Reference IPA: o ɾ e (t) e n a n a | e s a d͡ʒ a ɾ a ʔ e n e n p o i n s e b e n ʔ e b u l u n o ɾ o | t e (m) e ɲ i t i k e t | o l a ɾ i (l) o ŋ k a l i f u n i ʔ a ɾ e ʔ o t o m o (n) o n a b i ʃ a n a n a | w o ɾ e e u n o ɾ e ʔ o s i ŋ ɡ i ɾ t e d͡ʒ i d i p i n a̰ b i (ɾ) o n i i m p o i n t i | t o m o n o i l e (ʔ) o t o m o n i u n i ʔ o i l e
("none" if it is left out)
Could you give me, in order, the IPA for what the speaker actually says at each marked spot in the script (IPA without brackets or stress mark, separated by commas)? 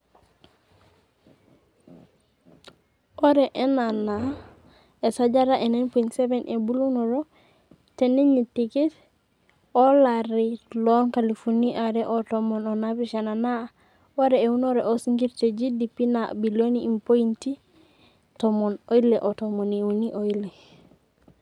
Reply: ʔ, n, l, n, l, ʔ